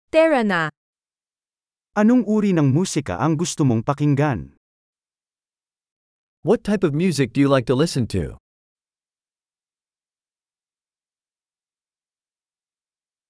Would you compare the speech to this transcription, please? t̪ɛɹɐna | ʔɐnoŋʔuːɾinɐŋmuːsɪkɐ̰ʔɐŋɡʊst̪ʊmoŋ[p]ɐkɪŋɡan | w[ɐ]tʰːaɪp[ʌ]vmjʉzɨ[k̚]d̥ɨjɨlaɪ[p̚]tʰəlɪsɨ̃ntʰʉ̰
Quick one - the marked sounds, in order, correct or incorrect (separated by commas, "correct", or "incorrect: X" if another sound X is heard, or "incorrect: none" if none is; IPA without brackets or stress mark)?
correct, incorrect: ʌ, correct, correct, incorrect: k̚